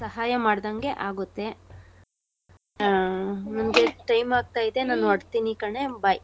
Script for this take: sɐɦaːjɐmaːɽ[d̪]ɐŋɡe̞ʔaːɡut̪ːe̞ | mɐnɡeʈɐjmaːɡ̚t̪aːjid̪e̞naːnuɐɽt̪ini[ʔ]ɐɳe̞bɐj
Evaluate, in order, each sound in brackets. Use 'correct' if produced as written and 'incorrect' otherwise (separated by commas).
correct, incorrect